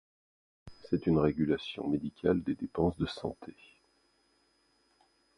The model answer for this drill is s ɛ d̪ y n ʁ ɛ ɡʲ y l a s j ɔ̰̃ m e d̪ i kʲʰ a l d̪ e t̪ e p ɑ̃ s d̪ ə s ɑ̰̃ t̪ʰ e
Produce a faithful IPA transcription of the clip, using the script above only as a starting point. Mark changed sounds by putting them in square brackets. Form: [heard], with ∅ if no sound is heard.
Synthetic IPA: s ɛ [t̪] y n ʁ [e] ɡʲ y l a s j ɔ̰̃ m e d̪ i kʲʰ a l d̪ e [d̪] e p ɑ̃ s d̪ ə s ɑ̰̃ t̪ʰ e